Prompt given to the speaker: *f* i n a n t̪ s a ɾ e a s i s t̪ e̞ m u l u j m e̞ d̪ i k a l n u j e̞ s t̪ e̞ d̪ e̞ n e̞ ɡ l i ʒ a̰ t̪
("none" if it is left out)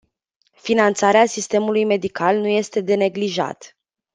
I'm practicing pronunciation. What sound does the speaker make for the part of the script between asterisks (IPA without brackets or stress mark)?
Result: f